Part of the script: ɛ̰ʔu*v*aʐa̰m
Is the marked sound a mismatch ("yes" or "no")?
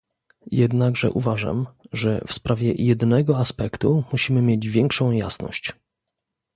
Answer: no